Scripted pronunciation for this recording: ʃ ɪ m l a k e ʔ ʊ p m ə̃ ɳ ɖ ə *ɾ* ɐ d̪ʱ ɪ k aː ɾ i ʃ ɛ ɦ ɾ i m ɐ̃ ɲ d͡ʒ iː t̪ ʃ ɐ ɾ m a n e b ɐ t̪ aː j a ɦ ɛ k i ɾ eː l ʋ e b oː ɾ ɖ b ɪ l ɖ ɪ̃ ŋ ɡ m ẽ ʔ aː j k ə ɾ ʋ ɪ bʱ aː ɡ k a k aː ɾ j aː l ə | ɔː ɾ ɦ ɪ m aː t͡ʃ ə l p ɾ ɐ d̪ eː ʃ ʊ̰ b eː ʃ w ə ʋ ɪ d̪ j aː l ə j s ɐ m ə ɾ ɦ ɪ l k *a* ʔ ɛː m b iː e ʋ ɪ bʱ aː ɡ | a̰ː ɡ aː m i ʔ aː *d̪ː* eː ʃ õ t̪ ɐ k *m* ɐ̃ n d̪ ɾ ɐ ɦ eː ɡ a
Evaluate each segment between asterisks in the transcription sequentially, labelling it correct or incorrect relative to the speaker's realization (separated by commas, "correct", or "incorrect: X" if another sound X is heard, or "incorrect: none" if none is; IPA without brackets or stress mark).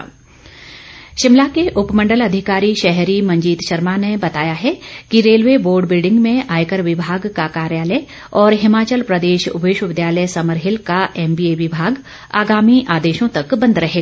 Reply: incorrect: l, correct, incorrect: d̪, incorrect: b